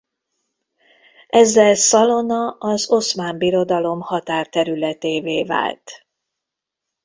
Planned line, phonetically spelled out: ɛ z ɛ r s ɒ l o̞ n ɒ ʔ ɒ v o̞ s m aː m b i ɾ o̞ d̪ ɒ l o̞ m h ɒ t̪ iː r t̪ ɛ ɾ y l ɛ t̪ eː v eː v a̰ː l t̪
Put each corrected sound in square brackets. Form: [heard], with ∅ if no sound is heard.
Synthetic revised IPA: ɛ [zː] ɛ [l] s ɒ l o̞ n ɒ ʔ ɒ [z] o̞ s m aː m b i ɾ o̞ d̪ ɒ l o̞ m h ɒ t̪ [aː] r t̪ ɛ ɾ y l ɛ t̪ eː v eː v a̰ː l t̪

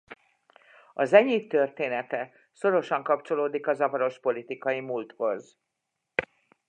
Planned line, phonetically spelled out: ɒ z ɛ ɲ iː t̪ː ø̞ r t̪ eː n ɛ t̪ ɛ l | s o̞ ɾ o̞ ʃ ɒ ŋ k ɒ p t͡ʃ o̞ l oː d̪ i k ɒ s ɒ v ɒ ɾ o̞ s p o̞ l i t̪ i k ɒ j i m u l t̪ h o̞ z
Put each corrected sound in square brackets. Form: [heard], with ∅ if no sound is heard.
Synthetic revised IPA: ɒ z ɛ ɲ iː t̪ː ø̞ r t̪ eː n ɛ t̪ ɛ [∅] | s o̞ ɾ o̞ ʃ ɒ ŋ k ɒ p t͡ʃ o̞ l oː d̪ i k ɒ [z] ɒ v ɒ ɾ o̞ [ʃ] p o̞ l i t̪ i k ɒ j i m u l t̪ h o̞ z

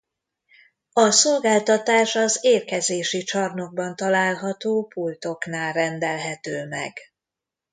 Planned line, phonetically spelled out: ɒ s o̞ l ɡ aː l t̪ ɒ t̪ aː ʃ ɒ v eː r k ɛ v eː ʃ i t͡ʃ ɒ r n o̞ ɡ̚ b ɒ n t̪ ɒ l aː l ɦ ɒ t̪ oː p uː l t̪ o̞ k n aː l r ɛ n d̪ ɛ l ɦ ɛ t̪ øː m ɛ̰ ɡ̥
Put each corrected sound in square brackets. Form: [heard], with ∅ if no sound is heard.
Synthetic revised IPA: ɒ s o̞ l ɡ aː l t̪ ɒ t̪ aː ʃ ɒ [z] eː r k ɛ [z] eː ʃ i t͡ʃ ɒ r n o̞ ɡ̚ b ɒ n t̪ ɒ l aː l ɦ ɒ t̪ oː p [u] l t̪ o̞ k n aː l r ɛ n d̪ ɛ l ɦ ɛ t̪ øː m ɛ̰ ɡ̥

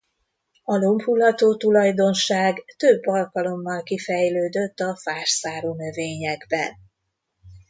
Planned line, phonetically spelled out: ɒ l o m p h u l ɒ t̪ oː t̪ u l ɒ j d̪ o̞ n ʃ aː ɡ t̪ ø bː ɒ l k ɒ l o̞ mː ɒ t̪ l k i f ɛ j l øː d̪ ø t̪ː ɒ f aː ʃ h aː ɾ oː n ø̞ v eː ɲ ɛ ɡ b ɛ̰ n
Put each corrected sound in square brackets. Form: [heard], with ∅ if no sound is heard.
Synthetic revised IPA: ɒ l o m p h u l ɒ t̪ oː t̪ u l ɒ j d̪ o̞ n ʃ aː ɡ t̪ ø bː ɒ l k ɒ l o̞ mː ɒ [∅] l k i f ɛ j l øː d̪ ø t̪ː ɒ f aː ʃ [s] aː ɾ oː n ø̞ v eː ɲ ɛ ɡ b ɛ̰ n

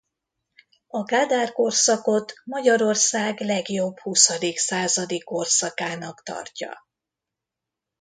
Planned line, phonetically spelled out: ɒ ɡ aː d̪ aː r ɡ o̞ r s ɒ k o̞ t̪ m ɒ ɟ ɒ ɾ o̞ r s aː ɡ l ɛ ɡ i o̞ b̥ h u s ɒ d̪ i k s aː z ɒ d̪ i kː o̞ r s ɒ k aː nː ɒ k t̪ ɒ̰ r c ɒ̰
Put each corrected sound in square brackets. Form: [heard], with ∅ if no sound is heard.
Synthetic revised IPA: ɒ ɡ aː d̪ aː r [k] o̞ r s ɒ k o̞ t̪ m ɒ ɟ ɒ ɾ o̞ r s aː ɡ l ɛ ɡ [j] o̞ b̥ h u s ɒ d̪ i k s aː z ɒ d̪ i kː o̞ r s ɒ k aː [n] ɒ k t̪ ɒ̰ r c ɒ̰

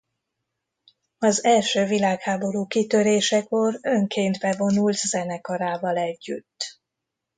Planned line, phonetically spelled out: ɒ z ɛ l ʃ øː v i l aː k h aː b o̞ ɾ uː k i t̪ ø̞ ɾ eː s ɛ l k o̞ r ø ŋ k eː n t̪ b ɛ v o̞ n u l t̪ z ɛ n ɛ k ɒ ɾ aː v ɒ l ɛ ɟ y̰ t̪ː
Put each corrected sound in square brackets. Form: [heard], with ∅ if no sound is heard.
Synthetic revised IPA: ɒ z ɛ l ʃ øː v i l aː k h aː b o̞ ɾ uː k i t̪ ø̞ ɾ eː [ʃ] ɛ [∅] k o̞ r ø ŋ k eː n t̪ b ɛ v o̞ n u l t̪ z ɛ n ɛ k ɒ ɾ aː v ɒ l ɛ [ɟː] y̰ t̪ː

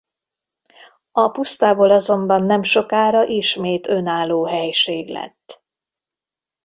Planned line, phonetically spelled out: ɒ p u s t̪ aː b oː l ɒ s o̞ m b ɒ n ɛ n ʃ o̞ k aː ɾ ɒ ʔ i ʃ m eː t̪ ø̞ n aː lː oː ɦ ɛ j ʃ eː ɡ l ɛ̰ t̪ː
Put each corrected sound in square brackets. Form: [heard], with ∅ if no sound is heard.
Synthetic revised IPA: ɒ p u s t̪ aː b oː l ɒ [z] o̞ m b ɒ [nː] ɛ [m] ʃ o̞ k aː ɾ ɒ ʔ i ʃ m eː t̪ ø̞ n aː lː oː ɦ ɛ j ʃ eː ɡ l ɛ̰ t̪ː

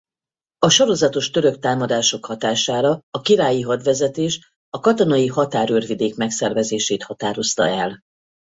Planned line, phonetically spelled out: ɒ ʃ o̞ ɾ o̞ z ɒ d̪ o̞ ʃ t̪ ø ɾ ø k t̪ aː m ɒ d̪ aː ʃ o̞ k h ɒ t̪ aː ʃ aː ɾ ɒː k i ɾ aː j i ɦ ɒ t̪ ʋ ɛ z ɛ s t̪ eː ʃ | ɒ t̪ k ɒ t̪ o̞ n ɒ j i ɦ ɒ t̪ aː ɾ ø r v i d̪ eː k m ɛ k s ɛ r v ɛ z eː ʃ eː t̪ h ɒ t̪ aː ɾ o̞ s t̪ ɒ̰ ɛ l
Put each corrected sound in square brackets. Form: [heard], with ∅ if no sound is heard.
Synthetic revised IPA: ɒ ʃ o̞ ɾ o̞ z ɒ [t̪] o̞ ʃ t̪ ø ɾ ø k t̪ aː m ɒ d̪ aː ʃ o̞ k h ɒ t̪ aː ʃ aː ɾ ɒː k i ɾ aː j i ɦ ɒ [d̪] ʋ ɛ z ɛ [∅] t̪ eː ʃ | ɒ [∅] k ɒ t̪ o̞ n ɒ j i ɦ ɒ t̪ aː ɾ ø r v i d̪ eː k m ɛ k s ɛ r v ɛ z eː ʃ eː t̪ h ɒ t̪ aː ɾ o̞ s t̪ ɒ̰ ɛ l

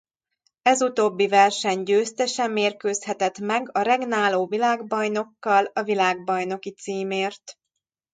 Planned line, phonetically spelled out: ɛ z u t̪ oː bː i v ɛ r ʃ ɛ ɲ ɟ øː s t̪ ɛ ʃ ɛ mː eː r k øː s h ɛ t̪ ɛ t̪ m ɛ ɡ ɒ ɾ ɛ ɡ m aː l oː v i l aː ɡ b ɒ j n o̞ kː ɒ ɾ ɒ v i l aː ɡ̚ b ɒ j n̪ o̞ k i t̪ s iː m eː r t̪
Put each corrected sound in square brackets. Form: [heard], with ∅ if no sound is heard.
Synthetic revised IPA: ɛ z u t̪ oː bː i v ɛ r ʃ ɛ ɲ ɟ øː s t̪ ɛ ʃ ɛ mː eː r k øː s h ɛ t̪ ɛ t̪ m ɛ ɡ ɒ ɾ ɛ ɡ [n] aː l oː v i l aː ɡ b ɒ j n o̞ kː ɒ [l] ɒ v i l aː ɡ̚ b ɒ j n̪ o̞ k i t̪ s iː m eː r t̪

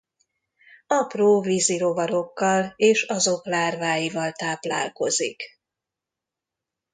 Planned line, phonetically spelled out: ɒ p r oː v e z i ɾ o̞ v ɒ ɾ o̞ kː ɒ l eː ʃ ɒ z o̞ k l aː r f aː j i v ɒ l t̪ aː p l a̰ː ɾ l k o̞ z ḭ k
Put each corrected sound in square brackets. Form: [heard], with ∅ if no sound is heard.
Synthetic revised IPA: ɒ p r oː v [i] z i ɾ o̞ v ɒ ɾ o̞ kː ɒ l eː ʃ ɒ z o̞ k l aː r [v] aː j i v ɒ l t̪ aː p l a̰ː [∅] l k o̞ z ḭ k

